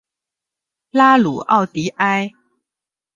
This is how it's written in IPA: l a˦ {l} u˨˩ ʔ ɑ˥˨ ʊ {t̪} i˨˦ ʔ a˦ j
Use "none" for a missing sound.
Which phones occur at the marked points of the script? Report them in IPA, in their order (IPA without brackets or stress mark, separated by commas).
l, t̪